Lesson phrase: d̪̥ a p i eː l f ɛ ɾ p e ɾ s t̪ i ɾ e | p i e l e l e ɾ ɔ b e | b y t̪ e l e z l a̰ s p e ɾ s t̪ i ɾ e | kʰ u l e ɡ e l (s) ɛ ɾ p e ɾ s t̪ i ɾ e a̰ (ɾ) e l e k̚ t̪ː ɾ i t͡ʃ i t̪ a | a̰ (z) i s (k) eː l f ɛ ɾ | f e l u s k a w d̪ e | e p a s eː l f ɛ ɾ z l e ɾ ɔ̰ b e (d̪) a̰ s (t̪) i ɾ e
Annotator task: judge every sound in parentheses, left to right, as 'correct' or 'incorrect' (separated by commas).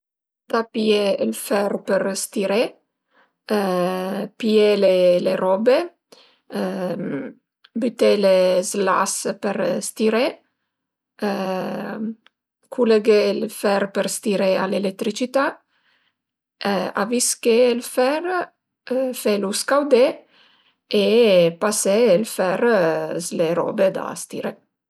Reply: incorrect, incorrect, incorrect, correct, correct, correct